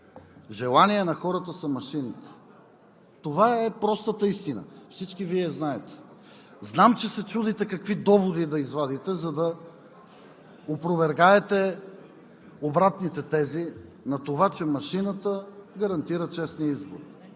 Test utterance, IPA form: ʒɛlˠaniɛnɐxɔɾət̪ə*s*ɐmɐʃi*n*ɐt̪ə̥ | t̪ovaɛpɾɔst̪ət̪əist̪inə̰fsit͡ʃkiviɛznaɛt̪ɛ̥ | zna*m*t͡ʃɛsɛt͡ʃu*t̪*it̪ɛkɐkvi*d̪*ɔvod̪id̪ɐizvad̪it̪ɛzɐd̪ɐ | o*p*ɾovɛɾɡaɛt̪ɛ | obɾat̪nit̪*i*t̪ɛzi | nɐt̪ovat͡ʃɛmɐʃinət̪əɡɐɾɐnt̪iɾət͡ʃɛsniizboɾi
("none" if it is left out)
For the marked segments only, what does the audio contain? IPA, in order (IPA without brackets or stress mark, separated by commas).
s, n, m, d̪, d̪, p, ɛ